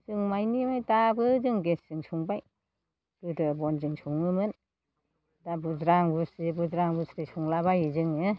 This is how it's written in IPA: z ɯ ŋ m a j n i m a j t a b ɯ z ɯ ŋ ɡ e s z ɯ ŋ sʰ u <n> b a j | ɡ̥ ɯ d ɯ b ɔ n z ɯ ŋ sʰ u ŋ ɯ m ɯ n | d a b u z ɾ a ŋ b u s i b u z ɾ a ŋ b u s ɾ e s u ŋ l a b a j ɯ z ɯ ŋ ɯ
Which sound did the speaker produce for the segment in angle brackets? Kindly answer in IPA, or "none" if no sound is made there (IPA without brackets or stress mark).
ŋ